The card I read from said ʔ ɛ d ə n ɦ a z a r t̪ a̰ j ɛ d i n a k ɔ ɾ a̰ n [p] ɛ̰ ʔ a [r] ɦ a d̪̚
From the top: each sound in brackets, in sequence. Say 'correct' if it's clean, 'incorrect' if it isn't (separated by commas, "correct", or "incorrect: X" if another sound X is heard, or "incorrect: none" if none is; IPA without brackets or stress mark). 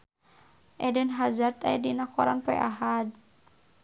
correct, incorrect: none